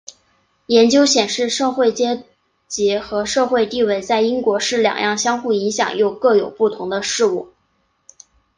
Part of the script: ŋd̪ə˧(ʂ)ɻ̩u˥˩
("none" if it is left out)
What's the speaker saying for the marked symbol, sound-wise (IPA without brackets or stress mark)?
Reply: ʂ